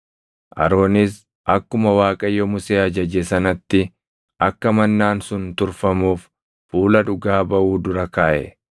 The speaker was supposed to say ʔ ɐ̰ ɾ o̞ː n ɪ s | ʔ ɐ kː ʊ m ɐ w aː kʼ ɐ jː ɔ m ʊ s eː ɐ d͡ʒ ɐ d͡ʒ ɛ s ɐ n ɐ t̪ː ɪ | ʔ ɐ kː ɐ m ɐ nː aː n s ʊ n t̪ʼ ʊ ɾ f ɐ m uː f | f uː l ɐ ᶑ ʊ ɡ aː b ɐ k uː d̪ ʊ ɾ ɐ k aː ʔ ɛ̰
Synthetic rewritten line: ʔ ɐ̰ ɾ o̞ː n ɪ s | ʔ ɐ kː ʊ m ɐ w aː kʼ ɐ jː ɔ m ʊ s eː ɐ d͡ʒ ɐ d͡ʒ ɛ s ɐ n ɐ t̪ː ɪ | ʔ ɐ kː ɐ m ɐ nː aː n s ʊ n t̪ ʊ ɾ f ɐ m uː f | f uː l ɐ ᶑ ʊ ɡ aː b ɐ ʔ uː d̪ ʊ ɾ ɐ k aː ʔ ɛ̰

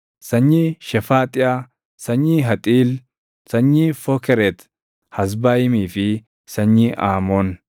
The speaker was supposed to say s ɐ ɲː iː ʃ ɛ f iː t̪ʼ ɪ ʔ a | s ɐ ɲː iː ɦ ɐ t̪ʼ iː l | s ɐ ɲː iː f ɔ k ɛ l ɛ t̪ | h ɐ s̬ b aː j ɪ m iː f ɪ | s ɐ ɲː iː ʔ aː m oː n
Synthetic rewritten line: s ɐ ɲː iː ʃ ɛ f aː t̪ʼ ɪ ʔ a | s ɐ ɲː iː ɦ ɐ t̪ʼ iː l | s ɐ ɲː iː f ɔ k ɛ ɾ ɛ t̪ | h ɐ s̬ b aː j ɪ m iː f ɪ | s ɐ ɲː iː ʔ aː m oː n

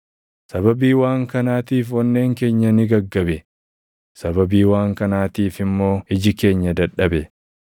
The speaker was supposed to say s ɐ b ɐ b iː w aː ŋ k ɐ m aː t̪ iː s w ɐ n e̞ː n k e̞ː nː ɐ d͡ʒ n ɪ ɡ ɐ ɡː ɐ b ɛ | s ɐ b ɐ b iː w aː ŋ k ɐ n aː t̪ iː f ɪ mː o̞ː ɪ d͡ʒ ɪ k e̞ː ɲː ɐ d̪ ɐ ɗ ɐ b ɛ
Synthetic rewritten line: s ɐ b ɐ b iː w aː ŋ k ɐ n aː t̪ iː f w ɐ nː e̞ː ŋ k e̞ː ɲː ɐ n ɪ ɡ ɐ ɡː ɐ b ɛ | s ɐ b ɐ b iː w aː ŋ k ɐ n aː t̪ iː f ɪ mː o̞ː ɪ d͡ʒ ɪ k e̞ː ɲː ɐ d̪ ɐ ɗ ɐ b ɛ

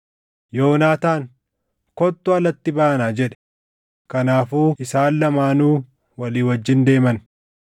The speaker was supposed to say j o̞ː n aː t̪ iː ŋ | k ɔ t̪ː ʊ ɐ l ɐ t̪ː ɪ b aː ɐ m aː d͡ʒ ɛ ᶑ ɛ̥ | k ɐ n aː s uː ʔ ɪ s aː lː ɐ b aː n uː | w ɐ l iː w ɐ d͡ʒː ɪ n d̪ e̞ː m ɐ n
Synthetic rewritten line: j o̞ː n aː t̪ aː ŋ | k ɔ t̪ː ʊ ɐ l ɐ t̪ː ɪ b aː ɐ n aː d͡ʒ ɛ ᶑ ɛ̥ | k ɐ n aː f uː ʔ ɪ s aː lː ɐ m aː n uː | w ɐ l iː w ɐ d͡ʒː ɪ n d̪ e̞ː m ɐ n

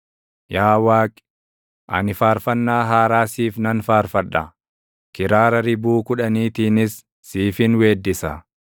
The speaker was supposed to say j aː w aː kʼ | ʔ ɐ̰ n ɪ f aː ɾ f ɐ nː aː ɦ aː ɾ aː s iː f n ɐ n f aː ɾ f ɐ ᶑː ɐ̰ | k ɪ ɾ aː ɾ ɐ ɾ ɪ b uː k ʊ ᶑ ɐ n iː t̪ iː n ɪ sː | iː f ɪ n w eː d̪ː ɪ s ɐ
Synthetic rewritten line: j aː w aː kʼ | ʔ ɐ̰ n ɪ f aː ɾ f ɐ nː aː ɦ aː ɾ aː s iː f n ɐ n f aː ɾ f ɐ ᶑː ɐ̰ | k ɪ ɾ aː ɾ ɐ ɾ ɪ b uː k ʊ ᶑ ɐ n iː t̪ iː n ɪ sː | iː f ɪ n w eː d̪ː ɪ s ɐ

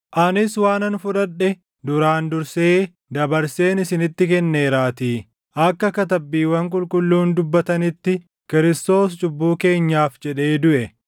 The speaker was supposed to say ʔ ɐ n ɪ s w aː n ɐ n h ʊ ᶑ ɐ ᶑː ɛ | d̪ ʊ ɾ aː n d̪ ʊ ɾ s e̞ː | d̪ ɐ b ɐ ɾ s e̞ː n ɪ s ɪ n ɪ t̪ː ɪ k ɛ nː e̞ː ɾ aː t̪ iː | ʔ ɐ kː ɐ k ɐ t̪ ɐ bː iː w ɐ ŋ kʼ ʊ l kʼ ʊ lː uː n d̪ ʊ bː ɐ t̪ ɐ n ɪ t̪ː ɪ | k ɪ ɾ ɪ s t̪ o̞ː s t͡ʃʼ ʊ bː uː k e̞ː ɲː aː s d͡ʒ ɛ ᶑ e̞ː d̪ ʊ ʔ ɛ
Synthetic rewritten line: ʔ ɐ n ɪ s w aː n ɐ n f ʊ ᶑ ɐ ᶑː ɛ | d̪ ʊ ɾ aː n d̪ ʊ ɾ s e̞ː | d̪ ɐ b ɐ ɾ s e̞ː n ɪ s ɪ n ɪ t̪ː ɪ k ɛ nː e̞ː ɾ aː t̪ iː | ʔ ɐ kː ɐ k ɐ t̪ ɐ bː iː w ɐ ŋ kʼ ʊ l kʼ ʊ lː uː n d̪ ʊ bː ɐ t̪ ɐ n ɪ t̪ː ɪ | k ɪ ɾ ɪ s t̪ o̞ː s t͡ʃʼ ʊ bː uː k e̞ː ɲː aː f d͡ʒ ɛ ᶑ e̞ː d̪ ʊ ʔ ɛ

